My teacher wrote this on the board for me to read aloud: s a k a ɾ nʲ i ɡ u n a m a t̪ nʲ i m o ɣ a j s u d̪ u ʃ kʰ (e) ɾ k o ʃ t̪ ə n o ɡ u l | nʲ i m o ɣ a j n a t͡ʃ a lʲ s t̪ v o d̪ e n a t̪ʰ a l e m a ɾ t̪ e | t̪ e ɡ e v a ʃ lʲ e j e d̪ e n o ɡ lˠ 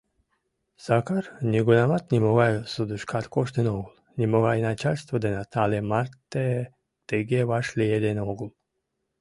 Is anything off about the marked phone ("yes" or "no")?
yes